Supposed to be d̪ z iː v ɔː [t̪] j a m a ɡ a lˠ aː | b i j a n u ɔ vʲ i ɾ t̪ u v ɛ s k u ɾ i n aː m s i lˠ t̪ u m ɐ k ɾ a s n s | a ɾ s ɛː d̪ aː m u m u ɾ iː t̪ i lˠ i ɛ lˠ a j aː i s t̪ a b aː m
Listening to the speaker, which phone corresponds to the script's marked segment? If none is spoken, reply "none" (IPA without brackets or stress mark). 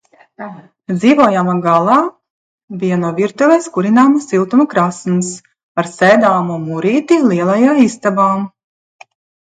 none